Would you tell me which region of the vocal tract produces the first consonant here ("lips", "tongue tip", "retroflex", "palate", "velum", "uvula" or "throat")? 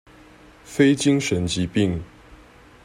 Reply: lips